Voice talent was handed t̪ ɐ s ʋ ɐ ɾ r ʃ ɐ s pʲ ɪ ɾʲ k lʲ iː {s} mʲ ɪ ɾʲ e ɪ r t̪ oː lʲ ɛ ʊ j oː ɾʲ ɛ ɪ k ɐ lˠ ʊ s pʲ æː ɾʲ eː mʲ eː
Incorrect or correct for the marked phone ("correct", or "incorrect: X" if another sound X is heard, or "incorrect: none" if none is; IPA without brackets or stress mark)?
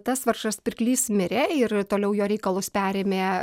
correct